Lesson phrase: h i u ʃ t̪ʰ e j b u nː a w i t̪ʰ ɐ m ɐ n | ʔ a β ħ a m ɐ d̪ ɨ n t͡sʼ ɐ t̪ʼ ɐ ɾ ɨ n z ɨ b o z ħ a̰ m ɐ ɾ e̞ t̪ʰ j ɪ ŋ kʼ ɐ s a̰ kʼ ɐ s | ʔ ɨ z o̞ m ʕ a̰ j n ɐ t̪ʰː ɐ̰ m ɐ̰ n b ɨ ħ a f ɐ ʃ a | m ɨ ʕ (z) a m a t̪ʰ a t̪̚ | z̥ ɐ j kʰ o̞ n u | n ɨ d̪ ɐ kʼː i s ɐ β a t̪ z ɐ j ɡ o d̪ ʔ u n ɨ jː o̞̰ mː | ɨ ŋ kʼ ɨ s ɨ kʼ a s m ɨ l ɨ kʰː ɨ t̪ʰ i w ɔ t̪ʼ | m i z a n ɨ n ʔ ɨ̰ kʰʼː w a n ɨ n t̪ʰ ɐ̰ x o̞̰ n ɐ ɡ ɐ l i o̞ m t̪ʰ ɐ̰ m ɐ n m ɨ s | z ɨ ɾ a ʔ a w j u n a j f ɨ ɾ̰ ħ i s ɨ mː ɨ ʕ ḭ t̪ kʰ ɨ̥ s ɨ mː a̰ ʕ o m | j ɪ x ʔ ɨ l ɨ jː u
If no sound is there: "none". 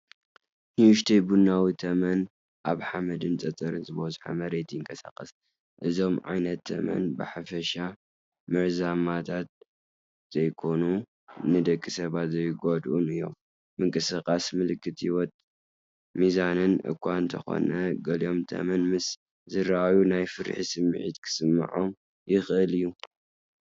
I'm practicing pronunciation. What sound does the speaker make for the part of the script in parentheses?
z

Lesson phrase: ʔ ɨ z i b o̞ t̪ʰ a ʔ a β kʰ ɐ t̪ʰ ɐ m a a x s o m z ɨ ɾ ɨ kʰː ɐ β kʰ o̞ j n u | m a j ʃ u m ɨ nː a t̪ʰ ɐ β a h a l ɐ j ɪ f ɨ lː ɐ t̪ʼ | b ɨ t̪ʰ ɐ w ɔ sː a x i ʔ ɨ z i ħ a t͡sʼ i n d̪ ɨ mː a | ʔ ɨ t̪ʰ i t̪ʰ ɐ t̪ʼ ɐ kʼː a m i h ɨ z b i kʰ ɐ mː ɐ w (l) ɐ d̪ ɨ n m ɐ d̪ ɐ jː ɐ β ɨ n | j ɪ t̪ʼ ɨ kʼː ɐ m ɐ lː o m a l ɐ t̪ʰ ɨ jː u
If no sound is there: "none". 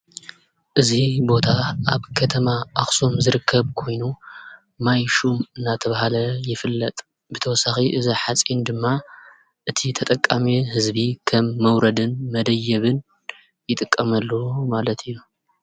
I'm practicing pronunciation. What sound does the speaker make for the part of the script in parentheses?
ɾ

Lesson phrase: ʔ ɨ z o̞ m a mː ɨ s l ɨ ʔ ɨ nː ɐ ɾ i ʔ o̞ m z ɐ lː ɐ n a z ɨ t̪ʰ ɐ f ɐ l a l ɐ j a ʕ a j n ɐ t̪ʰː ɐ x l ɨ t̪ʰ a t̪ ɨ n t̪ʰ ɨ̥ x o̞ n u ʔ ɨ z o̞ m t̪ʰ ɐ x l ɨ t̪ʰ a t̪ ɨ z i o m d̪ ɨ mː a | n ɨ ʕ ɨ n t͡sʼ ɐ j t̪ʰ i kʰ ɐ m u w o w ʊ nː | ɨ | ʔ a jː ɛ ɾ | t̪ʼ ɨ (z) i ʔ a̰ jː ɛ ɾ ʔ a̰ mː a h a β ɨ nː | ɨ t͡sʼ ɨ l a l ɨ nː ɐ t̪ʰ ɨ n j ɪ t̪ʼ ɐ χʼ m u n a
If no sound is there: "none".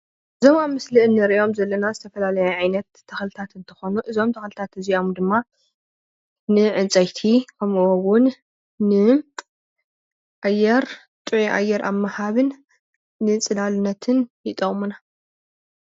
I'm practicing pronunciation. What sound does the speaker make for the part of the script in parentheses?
ʕ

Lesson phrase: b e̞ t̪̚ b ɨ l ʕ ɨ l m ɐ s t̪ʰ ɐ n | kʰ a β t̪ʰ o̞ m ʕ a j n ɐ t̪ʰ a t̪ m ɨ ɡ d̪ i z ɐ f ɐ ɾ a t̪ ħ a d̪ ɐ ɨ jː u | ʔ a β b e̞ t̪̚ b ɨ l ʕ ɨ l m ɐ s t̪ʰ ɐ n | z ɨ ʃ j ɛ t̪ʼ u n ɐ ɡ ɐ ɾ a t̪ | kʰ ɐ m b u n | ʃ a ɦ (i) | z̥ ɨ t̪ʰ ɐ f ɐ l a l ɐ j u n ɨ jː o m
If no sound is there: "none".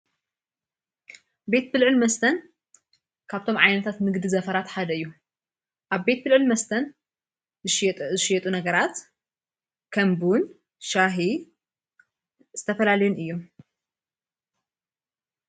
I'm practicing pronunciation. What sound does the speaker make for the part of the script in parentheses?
i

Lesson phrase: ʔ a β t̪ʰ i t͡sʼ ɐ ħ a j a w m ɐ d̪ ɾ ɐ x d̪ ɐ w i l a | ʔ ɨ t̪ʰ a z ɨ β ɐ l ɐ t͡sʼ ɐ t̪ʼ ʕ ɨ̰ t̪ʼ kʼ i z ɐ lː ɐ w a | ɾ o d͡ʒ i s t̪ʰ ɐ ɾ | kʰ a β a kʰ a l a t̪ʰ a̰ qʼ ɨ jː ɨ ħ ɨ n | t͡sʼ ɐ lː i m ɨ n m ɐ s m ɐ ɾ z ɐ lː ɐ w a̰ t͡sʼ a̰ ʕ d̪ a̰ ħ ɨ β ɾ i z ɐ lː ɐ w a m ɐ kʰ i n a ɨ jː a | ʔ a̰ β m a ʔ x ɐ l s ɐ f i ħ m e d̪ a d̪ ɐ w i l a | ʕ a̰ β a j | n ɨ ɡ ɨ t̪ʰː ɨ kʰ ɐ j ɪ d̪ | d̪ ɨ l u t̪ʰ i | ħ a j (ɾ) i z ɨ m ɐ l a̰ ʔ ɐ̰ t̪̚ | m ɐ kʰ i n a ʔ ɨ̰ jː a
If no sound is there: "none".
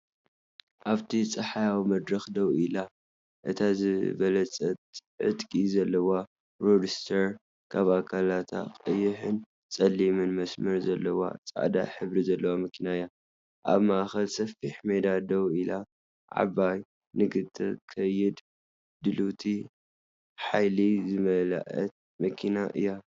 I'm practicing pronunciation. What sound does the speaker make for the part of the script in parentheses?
l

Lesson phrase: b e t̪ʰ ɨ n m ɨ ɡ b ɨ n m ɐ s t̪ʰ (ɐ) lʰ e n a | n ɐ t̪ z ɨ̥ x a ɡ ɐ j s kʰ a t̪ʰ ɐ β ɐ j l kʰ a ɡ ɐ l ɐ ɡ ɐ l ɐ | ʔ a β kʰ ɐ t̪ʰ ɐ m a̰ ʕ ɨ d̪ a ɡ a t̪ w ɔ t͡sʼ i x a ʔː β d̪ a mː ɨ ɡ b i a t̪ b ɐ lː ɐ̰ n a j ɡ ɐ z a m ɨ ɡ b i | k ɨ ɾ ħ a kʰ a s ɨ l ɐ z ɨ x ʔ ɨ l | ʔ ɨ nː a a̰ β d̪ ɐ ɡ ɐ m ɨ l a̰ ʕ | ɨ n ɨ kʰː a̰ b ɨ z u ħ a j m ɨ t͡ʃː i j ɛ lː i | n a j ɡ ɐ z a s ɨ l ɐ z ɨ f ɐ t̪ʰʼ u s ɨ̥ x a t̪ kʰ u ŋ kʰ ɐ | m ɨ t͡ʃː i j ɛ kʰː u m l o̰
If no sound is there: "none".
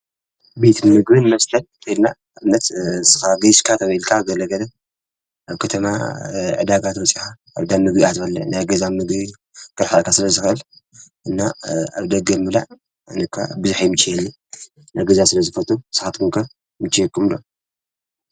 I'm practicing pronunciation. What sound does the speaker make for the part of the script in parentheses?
ɐ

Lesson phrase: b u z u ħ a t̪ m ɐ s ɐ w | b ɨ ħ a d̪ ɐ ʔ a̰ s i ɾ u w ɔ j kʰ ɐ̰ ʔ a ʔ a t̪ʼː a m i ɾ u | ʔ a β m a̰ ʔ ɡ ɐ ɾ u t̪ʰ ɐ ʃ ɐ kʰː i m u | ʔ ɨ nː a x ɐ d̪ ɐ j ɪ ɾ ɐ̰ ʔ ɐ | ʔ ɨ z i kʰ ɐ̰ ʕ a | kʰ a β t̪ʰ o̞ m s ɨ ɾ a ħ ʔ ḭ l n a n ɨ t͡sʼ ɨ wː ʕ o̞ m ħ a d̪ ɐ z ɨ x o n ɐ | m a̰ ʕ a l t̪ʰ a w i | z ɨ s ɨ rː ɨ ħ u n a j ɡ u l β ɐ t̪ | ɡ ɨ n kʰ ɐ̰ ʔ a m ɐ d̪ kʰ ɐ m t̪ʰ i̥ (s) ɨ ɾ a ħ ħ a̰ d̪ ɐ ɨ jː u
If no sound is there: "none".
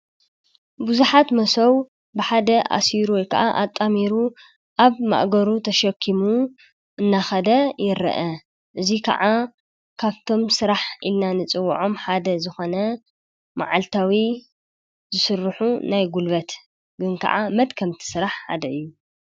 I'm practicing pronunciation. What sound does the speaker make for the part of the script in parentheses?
s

